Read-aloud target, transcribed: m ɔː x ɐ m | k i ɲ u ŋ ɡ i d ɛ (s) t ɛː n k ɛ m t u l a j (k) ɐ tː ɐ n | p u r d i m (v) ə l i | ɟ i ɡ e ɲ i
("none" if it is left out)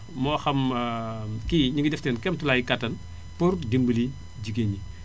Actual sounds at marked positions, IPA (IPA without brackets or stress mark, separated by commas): f, k, b